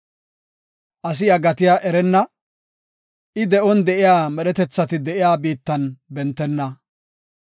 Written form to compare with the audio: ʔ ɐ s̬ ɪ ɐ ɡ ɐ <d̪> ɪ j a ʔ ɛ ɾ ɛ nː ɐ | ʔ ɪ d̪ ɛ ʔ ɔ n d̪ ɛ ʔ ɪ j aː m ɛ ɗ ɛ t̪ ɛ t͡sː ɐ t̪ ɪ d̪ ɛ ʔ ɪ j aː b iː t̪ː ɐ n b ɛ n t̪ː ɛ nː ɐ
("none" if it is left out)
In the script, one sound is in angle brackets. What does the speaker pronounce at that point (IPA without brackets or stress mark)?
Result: t̪